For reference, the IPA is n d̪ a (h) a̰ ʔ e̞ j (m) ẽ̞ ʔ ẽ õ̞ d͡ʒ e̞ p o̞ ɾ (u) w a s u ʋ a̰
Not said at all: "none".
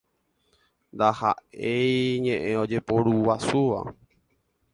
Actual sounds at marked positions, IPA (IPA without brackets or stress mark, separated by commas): h, ɲ, u